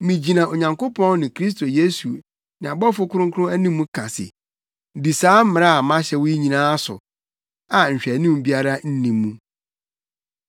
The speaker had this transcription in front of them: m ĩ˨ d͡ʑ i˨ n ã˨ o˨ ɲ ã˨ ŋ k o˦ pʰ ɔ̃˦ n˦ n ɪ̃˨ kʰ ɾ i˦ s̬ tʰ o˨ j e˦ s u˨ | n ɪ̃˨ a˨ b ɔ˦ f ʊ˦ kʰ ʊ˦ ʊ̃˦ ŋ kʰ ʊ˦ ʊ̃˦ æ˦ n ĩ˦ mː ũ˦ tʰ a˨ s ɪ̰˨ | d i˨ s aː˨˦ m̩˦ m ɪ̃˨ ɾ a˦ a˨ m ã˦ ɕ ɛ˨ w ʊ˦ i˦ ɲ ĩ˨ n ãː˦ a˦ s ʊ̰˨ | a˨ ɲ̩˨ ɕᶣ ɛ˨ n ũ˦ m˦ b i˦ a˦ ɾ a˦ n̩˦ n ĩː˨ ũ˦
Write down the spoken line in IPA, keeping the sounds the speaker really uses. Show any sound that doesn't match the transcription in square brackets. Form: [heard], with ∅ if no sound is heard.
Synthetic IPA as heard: m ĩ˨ d͡ʑ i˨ n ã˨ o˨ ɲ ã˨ ŋ k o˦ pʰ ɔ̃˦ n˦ n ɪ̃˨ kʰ ɾ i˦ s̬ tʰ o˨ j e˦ s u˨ | n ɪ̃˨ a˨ b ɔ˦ f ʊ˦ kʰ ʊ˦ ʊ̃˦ ŋ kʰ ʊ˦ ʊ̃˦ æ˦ n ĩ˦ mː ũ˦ [kʰ] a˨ s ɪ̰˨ | d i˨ s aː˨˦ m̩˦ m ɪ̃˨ ɾ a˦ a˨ m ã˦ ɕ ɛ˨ w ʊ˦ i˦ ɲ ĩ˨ n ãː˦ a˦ s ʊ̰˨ | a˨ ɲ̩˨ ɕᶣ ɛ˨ n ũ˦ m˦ b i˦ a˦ ɾ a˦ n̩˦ n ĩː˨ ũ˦